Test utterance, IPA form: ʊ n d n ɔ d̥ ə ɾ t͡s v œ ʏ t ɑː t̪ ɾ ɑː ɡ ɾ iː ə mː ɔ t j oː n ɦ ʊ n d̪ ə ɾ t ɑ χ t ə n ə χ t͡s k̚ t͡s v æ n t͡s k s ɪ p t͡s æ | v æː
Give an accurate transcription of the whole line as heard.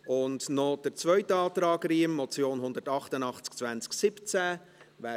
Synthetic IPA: ʊ n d n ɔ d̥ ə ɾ t͡s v œ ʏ t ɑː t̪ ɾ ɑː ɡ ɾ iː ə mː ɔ t͡s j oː n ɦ ʊ n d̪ ə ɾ t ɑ χ t ə n ɑ χ t͡s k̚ t͡s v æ n t͡s k s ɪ p t͡s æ | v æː